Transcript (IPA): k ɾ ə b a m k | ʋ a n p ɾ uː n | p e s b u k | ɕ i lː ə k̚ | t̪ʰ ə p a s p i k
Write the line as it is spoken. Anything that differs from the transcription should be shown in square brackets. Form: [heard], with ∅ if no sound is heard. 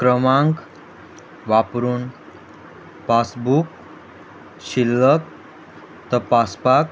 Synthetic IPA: k ɾ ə [m] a [ŋ] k | ʋ a [∅] p ɾ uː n | p [a] s b u k | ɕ i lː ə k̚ | [t̪] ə p a s p [a] k